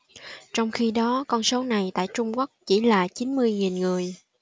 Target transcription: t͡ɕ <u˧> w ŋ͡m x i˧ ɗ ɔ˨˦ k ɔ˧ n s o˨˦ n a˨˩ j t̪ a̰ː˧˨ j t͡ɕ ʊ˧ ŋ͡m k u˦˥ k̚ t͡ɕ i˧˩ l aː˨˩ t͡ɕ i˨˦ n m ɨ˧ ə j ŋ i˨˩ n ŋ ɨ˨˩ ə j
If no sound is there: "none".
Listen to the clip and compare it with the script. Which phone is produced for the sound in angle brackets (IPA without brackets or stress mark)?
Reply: ɔ˧